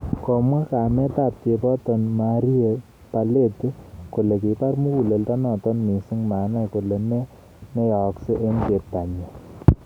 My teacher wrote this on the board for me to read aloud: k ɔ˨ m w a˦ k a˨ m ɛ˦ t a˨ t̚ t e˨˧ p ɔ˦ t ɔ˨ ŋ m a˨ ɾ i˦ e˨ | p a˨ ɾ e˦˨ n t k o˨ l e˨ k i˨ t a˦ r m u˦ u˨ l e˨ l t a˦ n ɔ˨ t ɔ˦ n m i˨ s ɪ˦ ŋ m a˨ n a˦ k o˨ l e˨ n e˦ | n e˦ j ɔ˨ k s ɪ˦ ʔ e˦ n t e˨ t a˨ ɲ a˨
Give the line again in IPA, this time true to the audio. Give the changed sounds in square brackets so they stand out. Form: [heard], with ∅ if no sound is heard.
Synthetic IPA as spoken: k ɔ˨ m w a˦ k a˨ m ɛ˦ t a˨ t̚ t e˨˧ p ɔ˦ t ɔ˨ [n] m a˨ ɾ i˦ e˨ | p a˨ [l] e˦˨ [∅] t k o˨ l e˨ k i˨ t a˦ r m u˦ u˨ l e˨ l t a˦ n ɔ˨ t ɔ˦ n m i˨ s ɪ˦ ŋ m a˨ n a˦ k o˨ l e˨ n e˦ | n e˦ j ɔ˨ k s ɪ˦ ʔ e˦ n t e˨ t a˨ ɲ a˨